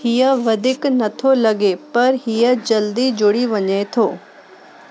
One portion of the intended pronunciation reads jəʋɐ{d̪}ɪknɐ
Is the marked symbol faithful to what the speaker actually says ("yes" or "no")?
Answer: yes